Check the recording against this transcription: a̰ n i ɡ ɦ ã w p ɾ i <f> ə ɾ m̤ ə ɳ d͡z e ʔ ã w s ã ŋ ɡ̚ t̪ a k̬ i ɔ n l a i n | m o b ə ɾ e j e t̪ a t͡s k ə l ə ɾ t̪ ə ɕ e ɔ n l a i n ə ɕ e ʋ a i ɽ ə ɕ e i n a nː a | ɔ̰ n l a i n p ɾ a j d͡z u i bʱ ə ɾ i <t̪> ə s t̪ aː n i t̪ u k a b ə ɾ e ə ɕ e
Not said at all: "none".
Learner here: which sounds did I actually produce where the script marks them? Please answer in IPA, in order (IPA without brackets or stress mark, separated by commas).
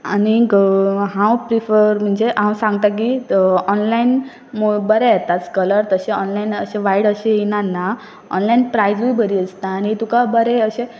f, none